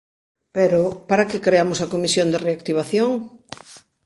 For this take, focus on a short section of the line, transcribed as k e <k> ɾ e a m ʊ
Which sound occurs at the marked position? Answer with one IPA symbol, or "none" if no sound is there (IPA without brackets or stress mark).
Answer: k